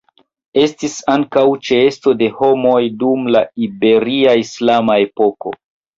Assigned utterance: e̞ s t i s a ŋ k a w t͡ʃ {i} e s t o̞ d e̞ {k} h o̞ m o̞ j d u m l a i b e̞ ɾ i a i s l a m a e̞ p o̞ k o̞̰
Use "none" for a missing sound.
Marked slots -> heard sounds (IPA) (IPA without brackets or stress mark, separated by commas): e, none